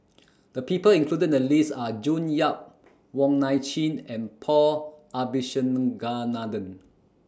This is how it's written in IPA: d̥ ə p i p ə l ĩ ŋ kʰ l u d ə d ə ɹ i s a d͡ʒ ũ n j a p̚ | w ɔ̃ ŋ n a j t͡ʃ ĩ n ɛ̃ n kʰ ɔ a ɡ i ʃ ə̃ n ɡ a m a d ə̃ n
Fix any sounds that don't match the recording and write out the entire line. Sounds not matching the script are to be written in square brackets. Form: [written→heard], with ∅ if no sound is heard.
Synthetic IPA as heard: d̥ ə p i p ə l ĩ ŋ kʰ l u d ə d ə [ɹ→l] i s a d͡ʒ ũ n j a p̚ | w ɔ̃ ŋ n a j t͡ʃ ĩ n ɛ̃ n [kʰ→pʰ] ɔ a [ɡ→b] i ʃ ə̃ n ɡ a [m→n] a d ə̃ n